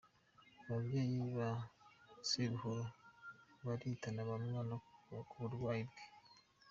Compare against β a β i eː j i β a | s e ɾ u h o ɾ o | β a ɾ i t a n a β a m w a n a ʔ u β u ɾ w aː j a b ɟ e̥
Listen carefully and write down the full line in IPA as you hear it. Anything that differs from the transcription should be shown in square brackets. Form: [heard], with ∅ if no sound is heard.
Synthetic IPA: β a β [j] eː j i β a | s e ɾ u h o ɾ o | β a ɾ i t a n a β a m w a n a [k] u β u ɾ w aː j [i] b [ɡ] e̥